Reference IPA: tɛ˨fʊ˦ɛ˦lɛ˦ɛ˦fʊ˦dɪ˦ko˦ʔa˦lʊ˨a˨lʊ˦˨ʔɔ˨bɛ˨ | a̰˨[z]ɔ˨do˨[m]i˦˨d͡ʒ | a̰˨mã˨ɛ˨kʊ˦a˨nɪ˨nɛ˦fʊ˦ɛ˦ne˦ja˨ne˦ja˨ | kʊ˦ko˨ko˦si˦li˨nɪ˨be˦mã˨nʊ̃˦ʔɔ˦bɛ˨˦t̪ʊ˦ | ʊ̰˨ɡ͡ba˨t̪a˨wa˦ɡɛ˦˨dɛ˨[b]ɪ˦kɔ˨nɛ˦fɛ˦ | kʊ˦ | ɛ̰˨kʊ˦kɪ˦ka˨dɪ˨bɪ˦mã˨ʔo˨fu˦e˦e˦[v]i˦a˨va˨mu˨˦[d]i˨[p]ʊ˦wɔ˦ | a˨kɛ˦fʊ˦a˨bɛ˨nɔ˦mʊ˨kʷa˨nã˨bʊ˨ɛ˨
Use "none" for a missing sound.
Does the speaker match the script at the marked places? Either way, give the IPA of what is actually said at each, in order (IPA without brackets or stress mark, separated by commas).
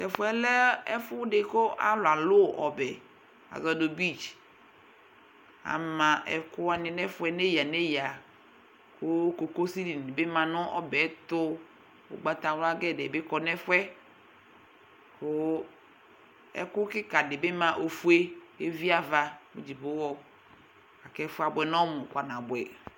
z, b, b, v, d͡ʒ, b